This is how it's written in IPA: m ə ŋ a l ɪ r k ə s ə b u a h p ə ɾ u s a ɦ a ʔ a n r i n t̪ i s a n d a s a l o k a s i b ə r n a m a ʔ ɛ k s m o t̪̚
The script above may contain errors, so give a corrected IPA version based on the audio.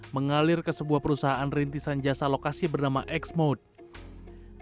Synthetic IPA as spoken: m ə ŋ a l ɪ r k ə s ə b u a h p ə ɾ u s a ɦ a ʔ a n r i n t̪ i s a n d͡ʒ a s a l o k a s i b ə r n a m a ʔ ɛ k s m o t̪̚